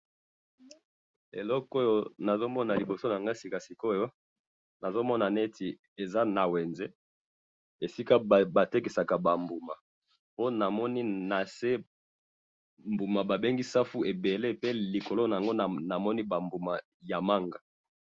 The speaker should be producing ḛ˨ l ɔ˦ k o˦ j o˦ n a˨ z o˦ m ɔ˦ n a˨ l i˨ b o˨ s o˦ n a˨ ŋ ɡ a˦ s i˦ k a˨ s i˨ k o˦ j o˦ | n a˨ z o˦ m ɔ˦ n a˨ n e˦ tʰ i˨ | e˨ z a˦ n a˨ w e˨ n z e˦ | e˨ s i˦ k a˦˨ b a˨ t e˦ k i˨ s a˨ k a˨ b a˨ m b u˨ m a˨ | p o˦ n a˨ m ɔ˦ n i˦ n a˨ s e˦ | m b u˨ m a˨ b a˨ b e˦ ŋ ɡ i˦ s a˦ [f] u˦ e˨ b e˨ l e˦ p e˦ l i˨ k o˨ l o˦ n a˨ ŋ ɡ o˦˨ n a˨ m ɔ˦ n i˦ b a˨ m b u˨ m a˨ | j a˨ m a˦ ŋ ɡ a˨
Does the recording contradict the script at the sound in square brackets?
no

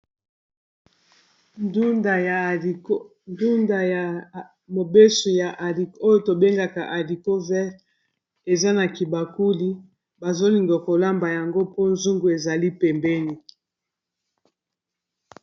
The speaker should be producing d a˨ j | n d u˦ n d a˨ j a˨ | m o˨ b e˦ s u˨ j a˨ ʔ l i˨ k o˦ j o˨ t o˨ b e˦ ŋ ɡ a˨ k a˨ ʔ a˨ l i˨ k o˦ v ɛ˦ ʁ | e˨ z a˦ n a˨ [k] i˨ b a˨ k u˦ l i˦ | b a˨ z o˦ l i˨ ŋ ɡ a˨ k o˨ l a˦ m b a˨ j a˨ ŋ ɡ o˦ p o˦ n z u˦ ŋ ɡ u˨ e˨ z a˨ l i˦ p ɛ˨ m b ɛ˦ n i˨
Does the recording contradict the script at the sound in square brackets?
no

